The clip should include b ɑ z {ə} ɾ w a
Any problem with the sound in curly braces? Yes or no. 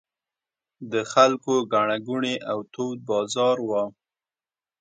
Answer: yes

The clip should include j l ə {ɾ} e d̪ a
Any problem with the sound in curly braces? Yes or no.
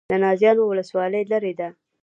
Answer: no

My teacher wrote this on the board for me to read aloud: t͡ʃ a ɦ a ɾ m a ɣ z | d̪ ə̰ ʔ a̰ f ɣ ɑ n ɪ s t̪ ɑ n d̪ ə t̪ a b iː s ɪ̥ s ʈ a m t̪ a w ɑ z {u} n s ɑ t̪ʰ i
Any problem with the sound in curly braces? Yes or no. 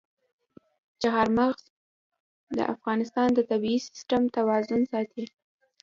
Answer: yes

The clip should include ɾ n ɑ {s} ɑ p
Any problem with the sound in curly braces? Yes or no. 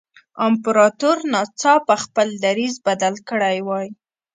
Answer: yes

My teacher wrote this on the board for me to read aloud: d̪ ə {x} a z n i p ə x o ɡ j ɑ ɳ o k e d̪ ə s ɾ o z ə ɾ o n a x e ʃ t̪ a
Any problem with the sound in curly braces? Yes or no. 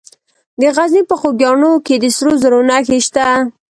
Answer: yes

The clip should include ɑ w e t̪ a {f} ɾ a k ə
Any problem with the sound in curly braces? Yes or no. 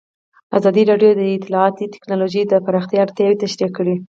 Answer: yes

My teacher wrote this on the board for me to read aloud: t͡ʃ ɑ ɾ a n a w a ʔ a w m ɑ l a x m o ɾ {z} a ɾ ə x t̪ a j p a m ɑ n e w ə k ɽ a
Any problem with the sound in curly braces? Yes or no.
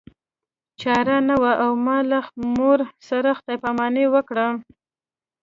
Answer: yes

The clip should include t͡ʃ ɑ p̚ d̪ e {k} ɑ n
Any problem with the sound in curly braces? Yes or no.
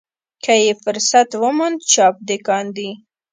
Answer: no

